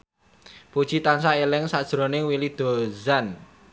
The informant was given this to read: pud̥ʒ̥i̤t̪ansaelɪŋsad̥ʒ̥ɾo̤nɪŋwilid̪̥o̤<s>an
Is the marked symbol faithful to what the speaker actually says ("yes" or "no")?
no